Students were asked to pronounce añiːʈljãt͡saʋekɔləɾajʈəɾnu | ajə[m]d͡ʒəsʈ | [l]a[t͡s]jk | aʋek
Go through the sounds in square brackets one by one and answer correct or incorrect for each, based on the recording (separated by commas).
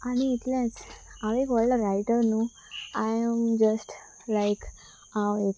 correct, correct, incorrect